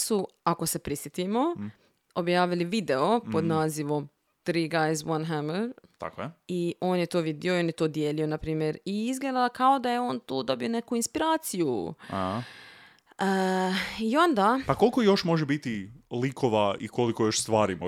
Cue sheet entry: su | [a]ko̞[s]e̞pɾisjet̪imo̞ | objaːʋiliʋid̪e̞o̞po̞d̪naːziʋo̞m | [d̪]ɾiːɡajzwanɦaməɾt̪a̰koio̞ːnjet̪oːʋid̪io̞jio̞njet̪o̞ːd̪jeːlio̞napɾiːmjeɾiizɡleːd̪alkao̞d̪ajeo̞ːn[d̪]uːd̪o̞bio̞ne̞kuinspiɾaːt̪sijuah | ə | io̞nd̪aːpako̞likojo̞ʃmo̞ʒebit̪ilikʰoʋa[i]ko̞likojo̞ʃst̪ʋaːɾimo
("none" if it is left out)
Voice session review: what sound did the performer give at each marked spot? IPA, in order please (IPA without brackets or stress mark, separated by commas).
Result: a, s, t̪, t̪, i